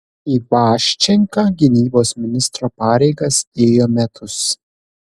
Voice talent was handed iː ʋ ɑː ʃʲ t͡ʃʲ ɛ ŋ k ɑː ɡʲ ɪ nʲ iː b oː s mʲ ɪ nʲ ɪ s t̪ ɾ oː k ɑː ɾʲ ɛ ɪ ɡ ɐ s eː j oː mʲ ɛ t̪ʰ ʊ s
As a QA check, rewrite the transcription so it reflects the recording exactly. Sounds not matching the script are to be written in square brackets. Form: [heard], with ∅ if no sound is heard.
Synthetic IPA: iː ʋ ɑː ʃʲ t͡ʃʲ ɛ ŋ k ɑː ɡʲ ɪ nʲ iː b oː s mʲ ɪ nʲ ɪ s t̪ ɾ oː [p] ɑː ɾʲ ɛ ɪ ɡ ɐ s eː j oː mʲ ɛ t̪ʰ ʊ s